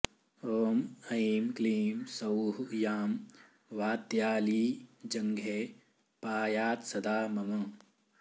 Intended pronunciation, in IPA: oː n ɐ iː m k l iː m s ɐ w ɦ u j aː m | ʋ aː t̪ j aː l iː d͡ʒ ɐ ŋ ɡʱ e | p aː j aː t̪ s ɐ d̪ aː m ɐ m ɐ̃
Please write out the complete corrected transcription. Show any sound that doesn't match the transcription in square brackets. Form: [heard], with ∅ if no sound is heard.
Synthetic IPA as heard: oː [m] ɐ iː m k l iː m s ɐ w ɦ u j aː m | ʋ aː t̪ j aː l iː d͡ʒ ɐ ŋ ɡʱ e | p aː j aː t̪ s ɐ d̪ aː m ɐ m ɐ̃